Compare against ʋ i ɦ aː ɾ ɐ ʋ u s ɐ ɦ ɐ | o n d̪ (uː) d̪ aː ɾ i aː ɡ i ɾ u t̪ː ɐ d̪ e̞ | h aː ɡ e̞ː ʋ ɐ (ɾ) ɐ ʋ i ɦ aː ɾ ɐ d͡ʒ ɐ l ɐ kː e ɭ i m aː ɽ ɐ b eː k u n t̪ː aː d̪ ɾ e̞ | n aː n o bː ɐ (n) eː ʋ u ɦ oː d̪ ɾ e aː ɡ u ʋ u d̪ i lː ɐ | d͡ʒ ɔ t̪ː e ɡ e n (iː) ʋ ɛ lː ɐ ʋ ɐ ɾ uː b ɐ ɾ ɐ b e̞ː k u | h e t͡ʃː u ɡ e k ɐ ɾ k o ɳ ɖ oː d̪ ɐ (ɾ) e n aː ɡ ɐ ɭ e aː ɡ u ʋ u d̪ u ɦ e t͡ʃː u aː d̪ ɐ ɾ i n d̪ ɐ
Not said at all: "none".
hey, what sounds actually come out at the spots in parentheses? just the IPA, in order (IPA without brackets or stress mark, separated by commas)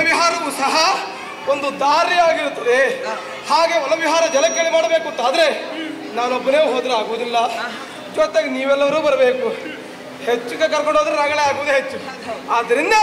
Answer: u, l, n, iː, ɾ